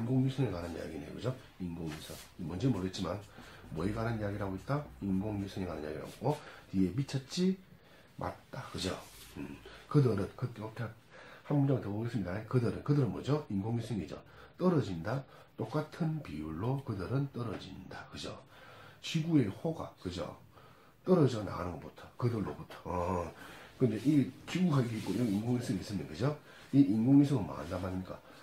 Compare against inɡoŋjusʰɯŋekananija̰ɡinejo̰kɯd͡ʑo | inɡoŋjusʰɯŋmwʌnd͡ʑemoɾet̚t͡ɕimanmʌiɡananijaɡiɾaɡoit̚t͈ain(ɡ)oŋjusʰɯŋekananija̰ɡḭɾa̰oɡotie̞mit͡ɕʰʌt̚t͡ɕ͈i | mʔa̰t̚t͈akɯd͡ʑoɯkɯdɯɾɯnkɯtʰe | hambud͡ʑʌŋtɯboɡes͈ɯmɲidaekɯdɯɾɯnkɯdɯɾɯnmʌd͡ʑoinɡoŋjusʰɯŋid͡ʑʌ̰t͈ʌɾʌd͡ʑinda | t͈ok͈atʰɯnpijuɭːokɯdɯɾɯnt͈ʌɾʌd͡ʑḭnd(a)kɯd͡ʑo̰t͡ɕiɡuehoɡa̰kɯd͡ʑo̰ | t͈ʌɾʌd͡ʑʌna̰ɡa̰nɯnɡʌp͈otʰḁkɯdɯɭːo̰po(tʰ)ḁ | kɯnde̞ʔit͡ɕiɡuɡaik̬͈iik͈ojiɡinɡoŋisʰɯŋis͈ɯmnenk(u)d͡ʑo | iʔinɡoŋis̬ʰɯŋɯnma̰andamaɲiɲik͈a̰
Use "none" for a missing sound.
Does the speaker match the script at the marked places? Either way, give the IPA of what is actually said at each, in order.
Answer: ɡ, a, tʰ, ɯ

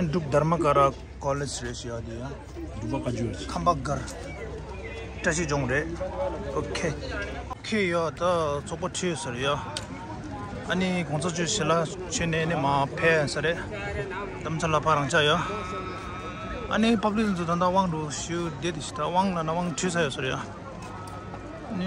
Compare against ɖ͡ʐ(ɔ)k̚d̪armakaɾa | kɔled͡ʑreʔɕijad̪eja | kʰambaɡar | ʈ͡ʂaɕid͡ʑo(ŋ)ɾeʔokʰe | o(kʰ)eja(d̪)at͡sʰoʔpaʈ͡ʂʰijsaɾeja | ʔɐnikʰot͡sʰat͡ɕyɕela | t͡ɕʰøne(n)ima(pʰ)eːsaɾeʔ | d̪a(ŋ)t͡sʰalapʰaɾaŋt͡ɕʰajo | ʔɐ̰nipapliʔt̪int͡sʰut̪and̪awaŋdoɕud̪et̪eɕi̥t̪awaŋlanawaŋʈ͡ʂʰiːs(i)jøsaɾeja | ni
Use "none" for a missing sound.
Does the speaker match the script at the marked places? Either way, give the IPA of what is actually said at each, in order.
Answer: u, ŋ, kʰ, t̪, n, pʰ, m, a

